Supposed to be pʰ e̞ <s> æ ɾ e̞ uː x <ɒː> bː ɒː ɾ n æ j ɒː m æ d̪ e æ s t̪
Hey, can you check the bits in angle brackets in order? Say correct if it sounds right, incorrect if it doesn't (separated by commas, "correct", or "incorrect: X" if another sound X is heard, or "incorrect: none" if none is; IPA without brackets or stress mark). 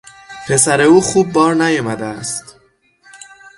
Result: correct, incorrect: uː